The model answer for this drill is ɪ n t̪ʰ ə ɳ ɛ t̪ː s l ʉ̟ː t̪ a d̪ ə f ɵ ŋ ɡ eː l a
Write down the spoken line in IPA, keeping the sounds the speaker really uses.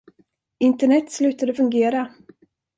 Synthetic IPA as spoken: ɪ n t̪ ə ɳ ɛ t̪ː s l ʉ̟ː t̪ a d̪ ə f ɵ ŋ ɡ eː ɾ a